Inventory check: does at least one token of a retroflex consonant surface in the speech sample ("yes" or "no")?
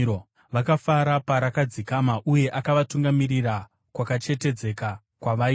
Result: no